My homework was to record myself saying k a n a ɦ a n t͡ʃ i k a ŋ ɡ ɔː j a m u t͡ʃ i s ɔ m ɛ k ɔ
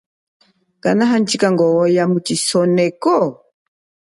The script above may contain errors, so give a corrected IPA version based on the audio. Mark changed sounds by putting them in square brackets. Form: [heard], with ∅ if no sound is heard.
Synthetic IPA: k a n a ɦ a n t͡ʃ i k a ŋ ɡ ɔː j a m u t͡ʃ i s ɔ [n] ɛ k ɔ